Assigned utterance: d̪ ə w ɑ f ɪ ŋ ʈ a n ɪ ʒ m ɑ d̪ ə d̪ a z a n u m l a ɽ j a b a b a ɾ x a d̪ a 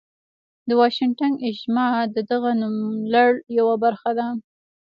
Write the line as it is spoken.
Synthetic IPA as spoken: d̪ ə w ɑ ʃ ɪ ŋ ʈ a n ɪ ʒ m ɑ d̪ ə d̪ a ɣ a n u m l a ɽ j a w a b a ɾ x a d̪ a